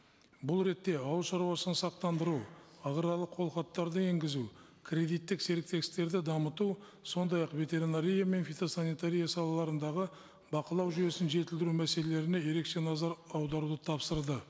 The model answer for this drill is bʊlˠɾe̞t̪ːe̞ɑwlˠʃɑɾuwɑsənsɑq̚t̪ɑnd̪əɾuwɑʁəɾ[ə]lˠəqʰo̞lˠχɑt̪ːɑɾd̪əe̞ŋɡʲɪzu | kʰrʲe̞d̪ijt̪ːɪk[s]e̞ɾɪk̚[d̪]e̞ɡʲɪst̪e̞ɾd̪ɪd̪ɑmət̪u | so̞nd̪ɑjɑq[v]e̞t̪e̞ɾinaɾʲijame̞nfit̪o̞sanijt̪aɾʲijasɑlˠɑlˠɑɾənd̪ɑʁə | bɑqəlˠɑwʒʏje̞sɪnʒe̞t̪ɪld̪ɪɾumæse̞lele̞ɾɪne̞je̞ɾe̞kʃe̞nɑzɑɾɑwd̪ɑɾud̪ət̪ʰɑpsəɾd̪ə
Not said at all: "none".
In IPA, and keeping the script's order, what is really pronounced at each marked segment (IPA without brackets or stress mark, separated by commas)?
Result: ɑ, s, t̪, v